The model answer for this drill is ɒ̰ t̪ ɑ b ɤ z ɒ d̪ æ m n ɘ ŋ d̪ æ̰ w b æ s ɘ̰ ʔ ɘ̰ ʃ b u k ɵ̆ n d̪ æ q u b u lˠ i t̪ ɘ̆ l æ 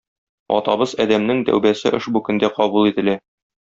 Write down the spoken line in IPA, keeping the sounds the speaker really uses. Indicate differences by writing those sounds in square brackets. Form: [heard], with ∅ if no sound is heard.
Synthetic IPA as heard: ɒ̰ t̪ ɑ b ɤ z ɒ d̪ æ m n ɘ ŋ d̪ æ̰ w b æ s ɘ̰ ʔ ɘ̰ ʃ b u k ɵ̆ n d̪ æ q [ɒ] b u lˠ i t̪ ɘ̆ l æ